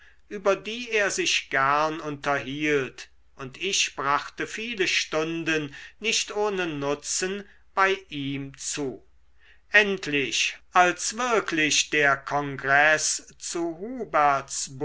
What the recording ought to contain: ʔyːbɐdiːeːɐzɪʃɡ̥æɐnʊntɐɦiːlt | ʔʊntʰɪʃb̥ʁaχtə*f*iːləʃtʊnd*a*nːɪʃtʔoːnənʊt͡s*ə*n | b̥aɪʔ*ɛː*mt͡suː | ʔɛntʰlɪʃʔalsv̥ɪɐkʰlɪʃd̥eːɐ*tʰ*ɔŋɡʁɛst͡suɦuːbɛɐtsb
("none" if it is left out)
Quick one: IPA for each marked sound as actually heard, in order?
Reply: f, ə, ə, iː, kʰ

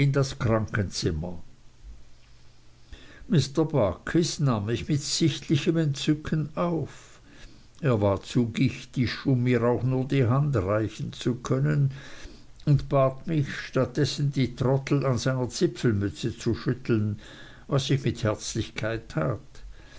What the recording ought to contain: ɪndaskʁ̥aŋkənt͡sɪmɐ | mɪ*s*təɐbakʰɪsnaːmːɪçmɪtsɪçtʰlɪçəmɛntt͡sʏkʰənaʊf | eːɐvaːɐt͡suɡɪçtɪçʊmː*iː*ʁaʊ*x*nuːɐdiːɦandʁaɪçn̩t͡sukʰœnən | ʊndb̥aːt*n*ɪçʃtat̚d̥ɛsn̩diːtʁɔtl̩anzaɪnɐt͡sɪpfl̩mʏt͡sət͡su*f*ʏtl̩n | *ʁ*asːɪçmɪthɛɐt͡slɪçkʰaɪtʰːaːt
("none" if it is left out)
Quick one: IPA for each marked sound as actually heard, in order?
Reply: s, iː, x, m, ʃ, v

